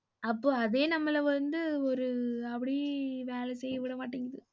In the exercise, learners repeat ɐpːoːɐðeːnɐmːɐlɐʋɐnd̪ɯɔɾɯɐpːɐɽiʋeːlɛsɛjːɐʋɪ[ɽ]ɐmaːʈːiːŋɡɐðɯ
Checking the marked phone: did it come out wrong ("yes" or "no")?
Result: no